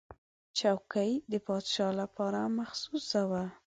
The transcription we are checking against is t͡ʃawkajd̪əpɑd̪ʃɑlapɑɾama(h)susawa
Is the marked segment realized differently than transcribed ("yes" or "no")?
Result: yes